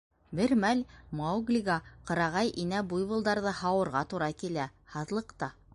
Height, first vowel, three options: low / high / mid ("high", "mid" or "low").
mid